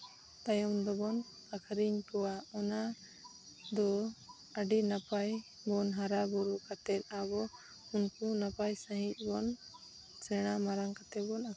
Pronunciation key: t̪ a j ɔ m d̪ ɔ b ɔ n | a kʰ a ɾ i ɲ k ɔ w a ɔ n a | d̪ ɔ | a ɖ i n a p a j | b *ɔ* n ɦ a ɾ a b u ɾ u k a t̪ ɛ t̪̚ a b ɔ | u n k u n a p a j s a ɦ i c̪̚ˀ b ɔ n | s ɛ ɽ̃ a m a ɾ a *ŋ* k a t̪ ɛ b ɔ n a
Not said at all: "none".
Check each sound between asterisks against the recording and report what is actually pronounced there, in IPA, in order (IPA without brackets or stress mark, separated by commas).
ɔ, ŋ